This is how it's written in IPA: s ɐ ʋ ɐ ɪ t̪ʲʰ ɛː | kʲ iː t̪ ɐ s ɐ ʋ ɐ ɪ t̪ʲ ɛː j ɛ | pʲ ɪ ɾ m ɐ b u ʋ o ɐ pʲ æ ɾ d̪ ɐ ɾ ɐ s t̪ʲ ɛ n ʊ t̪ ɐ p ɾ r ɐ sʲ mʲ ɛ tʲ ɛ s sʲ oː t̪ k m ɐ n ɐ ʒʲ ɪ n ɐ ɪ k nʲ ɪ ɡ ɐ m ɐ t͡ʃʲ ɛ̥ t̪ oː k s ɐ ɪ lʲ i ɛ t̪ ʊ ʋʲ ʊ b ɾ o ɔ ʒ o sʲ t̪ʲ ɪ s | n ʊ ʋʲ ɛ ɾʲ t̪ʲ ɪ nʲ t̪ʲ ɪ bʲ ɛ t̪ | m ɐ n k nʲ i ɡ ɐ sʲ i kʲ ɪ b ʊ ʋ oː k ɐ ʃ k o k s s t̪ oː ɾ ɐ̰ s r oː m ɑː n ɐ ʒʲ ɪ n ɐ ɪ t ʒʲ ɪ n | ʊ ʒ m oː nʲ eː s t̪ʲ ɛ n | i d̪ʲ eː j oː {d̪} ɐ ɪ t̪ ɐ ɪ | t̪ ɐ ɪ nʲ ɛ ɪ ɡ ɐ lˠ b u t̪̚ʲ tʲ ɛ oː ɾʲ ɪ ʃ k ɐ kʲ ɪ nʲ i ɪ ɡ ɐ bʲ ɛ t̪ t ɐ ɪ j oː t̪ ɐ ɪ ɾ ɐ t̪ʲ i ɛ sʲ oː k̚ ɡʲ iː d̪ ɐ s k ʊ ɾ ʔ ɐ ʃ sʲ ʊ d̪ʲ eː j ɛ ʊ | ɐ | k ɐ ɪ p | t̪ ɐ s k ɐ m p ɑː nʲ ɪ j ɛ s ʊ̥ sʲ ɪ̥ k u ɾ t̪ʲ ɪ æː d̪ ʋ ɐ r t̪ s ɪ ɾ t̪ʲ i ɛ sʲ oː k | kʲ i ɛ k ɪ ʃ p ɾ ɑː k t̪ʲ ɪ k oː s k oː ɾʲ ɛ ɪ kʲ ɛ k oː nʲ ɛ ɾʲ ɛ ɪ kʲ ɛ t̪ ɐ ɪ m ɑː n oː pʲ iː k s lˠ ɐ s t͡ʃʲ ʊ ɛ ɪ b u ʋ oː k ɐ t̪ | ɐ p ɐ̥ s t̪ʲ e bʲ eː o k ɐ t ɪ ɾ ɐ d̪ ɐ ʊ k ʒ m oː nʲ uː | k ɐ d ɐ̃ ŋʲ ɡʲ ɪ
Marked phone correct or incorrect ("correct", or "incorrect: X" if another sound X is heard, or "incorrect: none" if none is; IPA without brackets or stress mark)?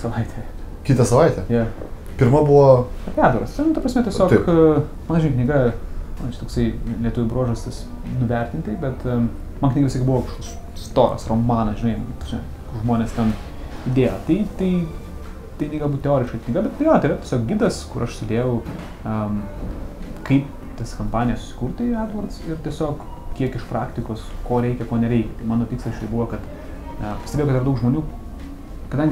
incorrect: t̪